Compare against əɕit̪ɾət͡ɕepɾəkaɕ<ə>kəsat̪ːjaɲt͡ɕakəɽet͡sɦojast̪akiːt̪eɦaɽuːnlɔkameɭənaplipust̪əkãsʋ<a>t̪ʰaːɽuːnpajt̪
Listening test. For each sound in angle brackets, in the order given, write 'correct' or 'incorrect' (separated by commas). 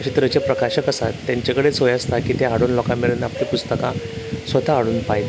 correct, incorrect